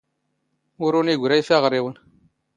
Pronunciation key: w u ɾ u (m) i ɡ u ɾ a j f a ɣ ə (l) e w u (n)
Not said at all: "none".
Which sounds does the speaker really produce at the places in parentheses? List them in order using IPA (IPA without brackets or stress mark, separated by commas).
n, ɾ, n